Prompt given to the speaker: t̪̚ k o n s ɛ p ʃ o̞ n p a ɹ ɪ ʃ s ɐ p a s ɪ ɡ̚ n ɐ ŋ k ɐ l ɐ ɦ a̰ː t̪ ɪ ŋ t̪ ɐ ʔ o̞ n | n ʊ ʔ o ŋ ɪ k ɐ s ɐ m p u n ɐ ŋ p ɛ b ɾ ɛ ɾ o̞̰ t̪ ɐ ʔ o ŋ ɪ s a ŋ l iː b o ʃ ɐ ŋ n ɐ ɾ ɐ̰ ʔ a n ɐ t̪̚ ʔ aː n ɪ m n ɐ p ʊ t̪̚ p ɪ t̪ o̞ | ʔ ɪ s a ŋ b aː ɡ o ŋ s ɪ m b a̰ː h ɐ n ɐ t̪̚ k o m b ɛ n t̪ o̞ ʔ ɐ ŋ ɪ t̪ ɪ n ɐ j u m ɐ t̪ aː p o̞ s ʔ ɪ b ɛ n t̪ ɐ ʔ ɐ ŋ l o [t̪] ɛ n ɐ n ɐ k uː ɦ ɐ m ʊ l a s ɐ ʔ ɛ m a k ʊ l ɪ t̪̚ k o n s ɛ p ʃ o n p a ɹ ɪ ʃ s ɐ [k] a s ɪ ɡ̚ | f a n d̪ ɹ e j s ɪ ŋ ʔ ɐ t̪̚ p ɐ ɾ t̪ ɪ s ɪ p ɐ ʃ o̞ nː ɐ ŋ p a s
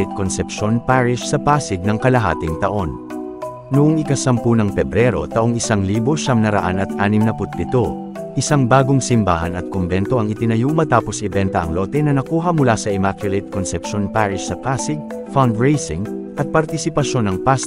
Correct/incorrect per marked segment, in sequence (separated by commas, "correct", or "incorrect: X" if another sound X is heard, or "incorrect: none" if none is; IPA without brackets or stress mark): correct, incorrect: p